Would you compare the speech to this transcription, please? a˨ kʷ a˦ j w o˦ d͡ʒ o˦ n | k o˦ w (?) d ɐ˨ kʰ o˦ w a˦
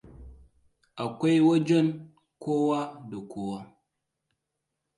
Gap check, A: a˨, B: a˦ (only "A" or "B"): B